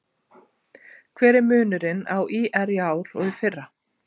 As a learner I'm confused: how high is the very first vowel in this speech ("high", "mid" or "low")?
mid